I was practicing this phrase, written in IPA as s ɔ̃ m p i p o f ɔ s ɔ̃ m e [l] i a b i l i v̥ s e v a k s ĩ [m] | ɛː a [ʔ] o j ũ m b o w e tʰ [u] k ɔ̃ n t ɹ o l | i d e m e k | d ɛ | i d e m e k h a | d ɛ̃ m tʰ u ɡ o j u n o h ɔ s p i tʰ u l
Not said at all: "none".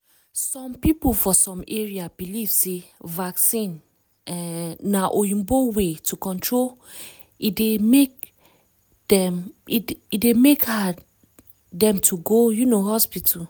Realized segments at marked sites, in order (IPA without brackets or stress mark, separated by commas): ɹ, n, ʔ, u